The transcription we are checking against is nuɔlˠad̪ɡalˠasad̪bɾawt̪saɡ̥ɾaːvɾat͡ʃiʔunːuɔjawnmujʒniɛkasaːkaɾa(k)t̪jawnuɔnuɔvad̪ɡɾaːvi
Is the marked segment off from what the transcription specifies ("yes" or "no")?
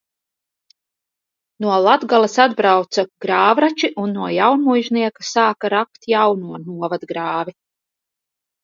no